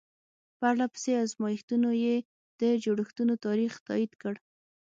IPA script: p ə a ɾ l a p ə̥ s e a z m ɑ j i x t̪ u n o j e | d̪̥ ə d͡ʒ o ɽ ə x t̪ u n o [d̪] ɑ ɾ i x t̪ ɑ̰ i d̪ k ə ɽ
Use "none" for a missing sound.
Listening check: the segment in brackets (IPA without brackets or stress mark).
t̪